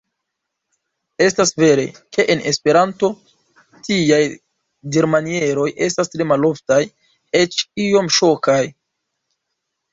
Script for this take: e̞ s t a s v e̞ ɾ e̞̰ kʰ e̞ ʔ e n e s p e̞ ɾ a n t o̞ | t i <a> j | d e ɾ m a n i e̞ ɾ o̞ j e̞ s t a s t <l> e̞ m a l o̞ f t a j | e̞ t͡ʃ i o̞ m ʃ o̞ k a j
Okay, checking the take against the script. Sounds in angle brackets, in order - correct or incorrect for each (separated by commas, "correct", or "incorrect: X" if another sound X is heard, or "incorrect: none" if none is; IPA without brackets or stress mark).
correct, incorrect: ɾ